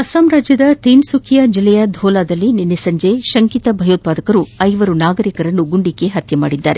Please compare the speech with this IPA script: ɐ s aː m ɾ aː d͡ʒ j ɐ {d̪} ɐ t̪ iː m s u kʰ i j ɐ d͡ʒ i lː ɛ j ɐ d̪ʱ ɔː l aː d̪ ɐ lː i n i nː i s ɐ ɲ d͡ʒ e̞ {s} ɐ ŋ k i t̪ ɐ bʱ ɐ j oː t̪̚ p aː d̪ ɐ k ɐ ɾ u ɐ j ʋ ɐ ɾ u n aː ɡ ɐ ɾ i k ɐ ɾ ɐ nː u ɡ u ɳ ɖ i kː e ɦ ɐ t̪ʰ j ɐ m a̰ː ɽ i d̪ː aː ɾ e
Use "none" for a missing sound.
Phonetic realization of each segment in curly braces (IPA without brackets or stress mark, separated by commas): d̪, ʃ